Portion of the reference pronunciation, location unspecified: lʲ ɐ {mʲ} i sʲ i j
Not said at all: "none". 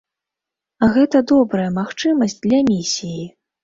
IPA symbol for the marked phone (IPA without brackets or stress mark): mʲ